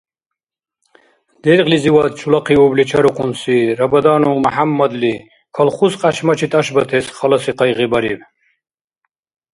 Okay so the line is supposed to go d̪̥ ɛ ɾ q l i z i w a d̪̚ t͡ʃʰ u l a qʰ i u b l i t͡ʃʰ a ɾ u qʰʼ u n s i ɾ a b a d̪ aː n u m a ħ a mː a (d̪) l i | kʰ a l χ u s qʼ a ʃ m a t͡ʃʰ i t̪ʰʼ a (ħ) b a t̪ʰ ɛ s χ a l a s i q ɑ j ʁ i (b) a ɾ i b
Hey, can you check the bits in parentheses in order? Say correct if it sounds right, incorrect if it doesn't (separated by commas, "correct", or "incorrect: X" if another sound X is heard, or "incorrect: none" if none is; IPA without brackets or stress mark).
correct, incorrect: ʃ, correct